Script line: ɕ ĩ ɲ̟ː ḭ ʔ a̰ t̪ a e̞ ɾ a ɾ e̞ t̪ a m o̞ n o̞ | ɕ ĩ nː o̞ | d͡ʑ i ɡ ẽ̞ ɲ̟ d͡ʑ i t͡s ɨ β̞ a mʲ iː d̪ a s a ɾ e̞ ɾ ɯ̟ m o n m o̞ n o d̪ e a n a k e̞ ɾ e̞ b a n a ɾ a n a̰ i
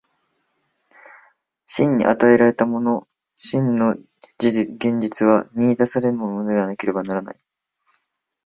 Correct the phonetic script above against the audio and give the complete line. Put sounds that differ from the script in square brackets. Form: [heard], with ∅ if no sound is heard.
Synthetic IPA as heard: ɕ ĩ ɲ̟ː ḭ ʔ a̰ t̪ a e̞ ɾ a ɾ e̞ t̪ a m o̞ n o̞ | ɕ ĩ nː o̞ | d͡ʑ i ɡ ẽ̞ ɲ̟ d͡ʑ i t͡s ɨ β̞ a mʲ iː d̪ a s a ɾ e̞ ɾ ɯ̟ m o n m o̞ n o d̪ e a n a k e̞ ɾ e̞ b a n a ɾ a n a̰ i